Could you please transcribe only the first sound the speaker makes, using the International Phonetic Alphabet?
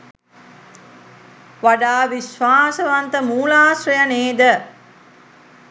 ʋ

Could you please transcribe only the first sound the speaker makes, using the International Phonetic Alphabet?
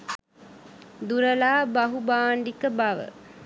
d̪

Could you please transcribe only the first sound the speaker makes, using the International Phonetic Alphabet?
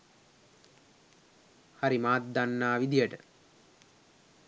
h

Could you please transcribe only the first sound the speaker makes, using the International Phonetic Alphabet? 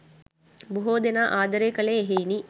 b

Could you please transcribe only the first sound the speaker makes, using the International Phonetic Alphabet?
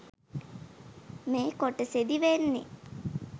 m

